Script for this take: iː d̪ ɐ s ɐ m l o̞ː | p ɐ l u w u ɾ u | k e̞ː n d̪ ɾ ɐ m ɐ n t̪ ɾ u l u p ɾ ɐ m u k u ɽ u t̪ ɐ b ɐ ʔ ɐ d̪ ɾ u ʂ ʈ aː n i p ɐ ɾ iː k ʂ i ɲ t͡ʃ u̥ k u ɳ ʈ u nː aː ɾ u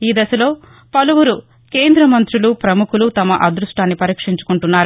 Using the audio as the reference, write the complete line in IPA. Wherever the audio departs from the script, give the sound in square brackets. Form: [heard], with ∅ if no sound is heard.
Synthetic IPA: iː d̪ ɐ s ɐ [∅] l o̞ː | p ɐ l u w u ɾ u | k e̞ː n d̪ ɾ ɐ m ɐ n t̪ ɾ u l u p ɾ ɐ m u k u [l] u t̪ ɐ [m] ɐ ʔ ɐ d̪ ɾ u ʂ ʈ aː [nː] i p ɐ ɾ iː k ʂ i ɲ t͡ʃ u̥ k u ɳ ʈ u nː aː ɾ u